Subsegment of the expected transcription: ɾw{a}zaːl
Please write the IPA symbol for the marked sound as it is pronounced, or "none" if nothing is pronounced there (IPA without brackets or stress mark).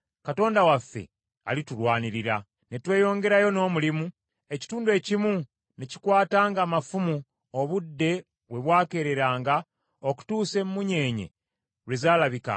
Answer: e